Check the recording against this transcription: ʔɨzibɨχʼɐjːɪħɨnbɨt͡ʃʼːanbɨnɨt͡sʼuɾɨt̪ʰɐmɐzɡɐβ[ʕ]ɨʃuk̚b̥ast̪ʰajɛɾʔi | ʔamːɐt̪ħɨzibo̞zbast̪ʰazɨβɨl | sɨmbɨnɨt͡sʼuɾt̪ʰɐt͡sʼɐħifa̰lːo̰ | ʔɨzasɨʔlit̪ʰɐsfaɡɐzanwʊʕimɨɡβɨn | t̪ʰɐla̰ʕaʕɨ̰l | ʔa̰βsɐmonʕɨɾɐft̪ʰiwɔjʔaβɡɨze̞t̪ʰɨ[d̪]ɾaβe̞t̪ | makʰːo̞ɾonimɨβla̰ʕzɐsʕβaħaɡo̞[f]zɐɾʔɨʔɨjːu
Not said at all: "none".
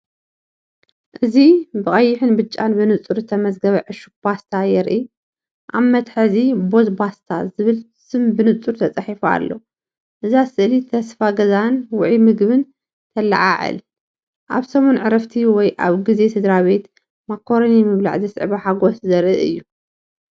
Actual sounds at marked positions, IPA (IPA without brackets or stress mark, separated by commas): ʕ, d̪, s